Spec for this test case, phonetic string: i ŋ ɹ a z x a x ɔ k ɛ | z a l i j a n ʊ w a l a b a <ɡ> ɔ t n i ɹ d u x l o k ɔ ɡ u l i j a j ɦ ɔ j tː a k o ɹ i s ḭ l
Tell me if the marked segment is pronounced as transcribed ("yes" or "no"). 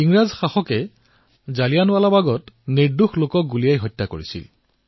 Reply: yes